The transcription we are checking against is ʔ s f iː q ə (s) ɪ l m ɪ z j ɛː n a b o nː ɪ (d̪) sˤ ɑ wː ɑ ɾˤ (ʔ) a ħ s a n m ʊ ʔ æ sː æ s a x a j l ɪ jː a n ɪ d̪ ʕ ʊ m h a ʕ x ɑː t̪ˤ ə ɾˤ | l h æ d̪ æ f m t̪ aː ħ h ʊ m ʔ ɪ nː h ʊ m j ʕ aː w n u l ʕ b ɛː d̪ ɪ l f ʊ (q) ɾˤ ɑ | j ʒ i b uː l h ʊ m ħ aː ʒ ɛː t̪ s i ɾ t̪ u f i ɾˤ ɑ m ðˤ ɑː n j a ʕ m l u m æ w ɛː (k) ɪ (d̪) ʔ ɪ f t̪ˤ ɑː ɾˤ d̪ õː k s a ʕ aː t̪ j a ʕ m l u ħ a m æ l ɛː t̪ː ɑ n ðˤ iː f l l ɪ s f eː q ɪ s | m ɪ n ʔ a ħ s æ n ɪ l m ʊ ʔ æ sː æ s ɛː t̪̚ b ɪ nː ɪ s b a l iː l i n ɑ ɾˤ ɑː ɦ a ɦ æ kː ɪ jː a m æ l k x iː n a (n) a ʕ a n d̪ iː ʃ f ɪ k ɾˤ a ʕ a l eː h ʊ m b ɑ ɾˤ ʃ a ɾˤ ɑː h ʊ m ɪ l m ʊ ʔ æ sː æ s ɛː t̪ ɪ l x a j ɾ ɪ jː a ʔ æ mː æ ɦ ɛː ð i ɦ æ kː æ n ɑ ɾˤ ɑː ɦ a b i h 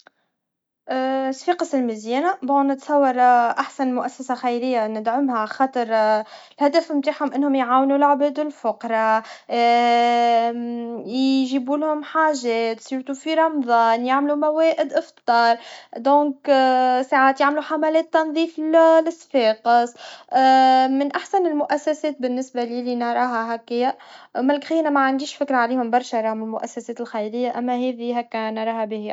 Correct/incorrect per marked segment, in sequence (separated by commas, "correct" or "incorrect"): correct, incorrect, correct, correct, incorrect, correct, incorrect